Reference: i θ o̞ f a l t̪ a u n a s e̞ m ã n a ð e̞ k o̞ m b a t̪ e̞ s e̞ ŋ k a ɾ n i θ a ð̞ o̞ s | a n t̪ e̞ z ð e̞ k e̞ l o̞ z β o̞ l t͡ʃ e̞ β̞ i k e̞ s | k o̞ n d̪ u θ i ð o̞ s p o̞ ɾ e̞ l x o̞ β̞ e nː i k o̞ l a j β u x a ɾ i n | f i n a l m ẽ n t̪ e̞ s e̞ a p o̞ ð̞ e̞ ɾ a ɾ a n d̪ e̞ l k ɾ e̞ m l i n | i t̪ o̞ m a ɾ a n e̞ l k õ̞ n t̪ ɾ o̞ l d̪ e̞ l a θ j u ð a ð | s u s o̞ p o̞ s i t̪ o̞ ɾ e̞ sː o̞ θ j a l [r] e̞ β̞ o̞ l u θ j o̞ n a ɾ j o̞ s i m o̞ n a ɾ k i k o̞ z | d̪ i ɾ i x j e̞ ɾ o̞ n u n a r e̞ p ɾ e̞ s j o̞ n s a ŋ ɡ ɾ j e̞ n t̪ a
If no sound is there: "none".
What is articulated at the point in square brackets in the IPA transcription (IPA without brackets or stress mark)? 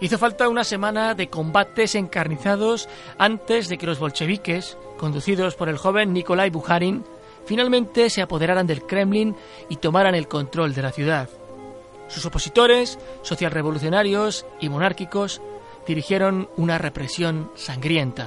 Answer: r